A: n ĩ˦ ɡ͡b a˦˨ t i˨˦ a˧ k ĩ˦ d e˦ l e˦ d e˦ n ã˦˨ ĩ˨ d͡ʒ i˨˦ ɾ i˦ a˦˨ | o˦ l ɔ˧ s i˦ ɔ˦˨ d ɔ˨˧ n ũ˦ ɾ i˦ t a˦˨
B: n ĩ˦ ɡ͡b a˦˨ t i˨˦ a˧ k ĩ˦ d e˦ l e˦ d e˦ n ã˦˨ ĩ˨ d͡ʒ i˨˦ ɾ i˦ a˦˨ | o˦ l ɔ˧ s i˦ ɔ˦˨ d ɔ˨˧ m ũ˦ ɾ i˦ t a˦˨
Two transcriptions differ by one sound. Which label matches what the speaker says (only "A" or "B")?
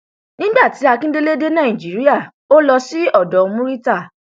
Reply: B